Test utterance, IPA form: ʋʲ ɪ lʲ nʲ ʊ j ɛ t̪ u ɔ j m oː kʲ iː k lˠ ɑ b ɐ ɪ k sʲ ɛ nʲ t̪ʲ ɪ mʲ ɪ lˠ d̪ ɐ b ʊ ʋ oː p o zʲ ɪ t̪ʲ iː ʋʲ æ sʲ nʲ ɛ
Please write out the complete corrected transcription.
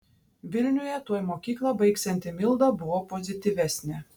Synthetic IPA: ʋʲ ɪ lʲ nʲ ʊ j ɛ t̪ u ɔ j m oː kʲ iː k lˠ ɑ b ɐ ɪ k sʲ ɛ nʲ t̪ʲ ɪ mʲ ɪ lˠ d̪ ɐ b ʊ ʋ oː p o zʲ ɪ t̪ʲ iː ʋʲ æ sʲ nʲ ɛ